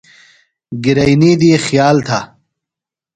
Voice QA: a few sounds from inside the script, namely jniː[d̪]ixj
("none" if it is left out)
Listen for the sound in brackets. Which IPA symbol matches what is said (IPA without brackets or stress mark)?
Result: d̪